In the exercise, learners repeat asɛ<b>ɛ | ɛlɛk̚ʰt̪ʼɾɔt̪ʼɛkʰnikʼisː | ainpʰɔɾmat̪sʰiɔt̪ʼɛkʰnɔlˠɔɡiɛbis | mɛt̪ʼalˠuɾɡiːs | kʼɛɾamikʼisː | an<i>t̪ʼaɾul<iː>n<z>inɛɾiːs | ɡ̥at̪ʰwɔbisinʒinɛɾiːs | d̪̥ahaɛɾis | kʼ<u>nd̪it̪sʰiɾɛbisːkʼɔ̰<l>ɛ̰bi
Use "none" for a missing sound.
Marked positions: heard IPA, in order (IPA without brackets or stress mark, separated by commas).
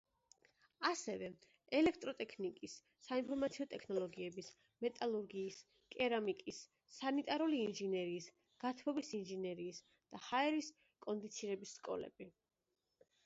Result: v, i, iː, ʒ, ɔ, l